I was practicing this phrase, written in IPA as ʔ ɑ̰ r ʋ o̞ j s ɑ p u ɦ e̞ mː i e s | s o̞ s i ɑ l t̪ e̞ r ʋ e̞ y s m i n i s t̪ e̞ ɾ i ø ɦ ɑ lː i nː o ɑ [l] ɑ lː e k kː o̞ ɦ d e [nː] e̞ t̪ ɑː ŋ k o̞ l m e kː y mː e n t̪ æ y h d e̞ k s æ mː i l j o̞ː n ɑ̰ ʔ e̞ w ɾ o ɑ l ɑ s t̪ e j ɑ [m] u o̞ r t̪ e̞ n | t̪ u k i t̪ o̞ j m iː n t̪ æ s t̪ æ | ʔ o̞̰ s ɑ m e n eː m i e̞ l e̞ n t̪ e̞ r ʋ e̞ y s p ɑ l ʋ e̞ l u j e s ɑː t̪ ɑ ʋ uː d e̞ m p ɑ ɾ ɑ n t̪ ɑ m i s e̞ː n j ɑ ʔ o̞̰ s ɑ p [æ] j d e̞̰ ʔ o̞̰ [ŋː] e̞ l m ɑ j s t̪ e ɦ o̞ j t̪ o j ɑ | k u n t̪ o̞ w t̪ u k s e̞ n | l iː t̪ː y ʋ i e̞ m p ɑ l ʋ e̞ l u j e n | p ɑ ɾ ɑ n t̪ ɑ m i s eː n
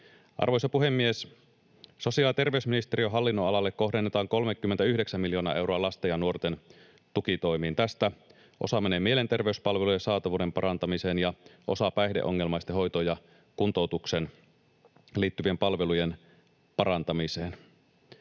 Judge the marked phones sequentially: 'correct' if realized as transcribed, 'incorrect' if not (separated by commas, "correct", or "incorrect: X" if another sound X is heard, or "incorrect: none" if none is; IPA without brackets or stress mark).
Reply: correct, correct, incorrect: n, correct, correct